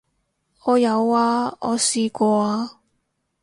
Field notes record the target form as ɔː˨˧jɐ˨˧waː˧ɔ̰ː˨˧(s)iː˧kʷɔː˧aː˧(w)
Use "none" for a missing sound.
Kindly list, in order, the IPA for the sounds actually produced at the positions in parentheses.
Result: s, none

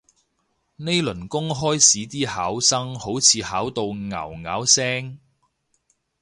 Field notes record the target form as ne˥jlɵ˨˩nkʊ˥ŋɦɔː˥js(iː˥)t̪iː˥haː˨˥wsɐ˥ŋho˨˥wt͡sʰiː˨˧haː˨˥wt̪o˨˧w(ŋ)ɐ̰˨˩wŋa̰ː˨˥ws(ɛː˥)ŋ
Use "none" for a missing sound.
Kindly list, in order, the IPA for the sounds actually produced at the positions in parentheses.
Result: iː˨˥, ŋ, ɛː˥

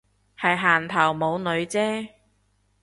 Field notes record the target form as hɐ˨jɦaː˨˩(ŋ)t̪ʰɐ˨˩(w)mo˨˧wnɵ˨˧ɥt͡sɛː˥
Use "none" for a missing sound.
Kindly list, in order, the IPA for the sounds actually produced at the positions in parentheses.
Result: n, w

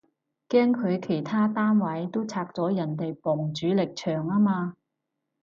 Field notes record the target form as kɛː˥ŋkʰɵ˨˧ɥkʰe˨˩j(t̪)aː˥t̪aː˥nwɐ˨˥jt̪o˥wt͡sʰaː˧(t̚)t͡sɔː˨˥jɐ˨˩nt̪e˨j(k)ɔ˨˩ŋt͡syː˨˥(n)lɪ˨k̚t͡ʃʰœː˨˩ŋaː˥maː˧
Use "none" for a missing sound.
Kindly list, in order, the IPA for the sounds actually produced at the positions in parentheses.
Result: t̪ʰ, k̚, p, none

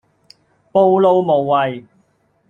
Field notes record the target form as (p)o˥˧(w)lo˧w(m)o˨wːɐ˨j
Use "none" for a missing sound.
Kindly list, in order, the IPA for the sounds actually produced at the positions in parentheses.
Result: p, w, m

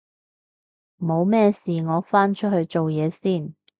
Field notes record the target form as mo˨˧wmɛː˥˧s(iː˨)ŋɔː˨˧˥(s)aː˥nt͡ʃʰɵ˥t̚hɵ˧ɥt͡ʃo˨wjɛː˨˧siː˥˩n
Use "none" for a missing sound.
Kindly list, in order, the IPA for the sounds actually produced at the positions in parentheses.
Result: iː˨, f

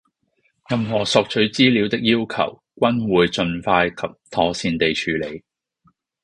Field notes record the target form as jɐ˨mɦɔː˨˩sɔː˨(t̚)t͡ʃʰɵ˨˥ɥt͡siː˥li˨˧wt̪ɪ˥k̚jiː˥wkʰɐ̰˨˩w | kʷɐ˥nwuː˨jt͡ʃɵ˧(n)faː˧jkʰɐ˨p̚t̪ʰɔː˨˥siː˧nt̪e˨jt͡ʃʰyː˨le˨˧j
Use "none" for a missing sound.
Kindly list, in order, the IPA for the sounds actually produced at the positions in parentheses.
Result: k̚, n

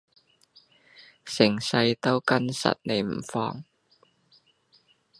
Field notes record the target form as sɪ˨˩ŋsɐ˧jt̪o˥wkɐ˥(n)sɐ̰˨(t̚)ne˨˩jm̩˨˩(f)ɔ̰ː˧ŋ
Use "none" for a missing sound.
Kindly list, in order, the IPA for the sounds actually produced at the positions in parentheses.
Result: n, t̚, f

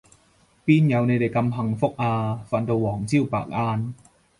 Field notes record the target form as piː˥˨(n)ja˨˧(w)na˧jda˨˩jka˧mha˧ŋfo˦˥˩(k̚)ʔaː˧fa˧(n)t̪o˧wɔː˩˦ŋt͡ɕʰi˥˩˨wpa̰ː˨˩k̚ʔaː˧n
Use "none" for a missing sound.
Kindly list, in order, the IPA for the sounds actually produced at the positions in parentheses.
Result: n, w, k̚, n

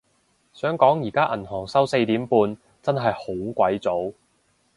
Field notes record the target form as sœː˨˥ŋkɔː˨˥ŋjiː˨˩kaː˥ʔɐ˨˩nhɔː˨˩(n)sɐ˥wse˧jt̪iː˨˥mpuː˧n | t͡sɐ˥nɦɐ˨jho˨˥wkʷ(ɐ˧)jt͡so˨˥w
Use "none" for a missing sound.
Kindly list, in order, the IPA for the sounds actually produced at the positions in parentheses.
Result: ŋ, ɐ˨˥

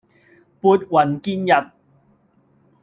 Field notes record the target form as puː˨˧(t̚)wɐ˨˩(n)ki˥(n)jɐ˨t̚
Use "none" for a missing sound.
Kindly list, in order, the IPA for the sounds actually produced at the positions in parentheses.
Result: t̚, n, n

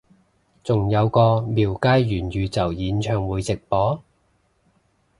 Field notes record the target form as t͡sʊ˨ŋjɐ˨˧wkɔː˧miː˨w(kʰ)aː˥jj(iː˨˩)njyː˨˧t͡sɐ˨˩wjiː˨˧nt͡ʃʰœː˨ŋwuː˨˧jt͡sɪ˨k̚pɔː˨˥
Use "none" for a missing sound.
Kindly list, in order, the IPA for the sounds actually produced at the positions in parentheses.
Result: k, yː˨˩

